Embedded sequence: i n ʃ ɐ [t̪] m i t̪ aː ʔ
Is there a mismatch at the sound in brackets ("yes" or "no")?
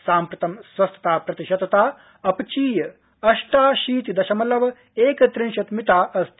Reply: no